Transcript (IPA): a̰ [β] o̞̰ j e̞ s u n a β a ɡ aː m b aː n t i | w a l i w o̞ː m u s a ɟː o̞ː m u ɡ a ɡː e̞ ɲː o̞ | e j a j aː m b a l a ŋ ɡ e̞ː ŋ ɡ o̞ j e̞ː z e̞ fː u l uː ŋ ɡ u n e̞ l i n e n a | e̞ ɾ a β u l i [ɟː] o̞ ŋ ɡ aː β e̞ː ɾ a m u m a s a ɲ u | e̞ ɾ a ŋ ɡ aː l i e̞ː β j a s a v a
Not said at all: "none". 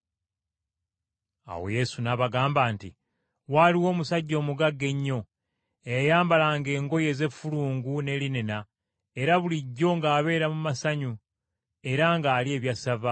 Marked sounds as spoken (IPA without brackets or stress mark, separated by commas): w, ɟː